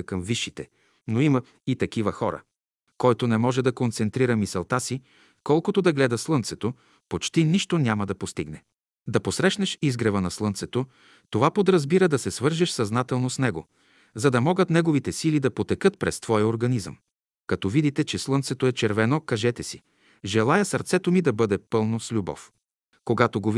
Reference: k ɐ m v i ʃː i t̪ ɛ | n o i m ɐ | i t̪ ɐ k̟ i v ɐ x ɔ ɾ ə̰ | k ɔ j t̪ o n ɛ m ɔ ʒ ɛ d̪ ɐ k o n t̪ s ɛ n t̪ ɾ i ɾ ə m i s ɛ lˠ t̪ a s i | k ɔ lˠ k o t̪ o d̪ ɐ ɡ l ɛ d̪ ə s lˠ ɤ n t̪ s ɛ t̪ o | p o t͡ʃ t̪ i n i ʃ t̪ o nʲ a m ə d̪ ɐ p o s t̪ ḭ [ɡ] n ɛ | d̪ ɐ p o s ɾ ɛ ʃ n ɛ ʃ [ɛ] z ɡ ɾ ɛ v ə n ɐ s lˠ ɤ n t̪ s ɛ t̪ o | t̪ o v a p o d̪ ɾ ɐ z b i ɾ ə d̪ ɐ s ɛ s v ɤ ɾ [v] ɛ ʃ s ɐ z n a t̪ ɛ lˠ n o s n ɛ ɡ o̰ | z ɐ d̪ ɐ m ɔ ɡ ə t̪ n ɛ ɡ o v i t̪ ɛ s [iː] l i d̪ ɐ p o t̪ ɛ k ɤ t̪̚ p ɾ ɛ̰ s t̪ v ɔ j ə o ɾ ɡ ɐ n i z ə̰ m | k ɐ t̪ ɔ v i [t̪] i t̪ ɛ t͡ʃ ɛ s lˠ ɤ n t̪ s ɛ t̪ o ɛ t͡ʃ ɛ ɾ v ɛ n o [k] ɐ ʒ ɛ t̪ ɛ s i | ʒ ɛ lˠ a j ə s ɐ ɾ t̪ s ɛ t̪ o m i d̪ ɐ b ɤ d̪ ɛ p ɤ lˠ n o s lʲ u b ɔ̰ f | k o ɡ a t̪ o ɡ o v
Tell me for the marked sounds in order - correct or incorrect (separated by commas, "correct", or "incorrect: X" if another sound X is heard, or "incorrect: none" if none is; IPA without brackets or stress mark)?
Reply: correct, incorrect: i, incorrect: ʒ, incorrect: i, incorrect: d̪, correct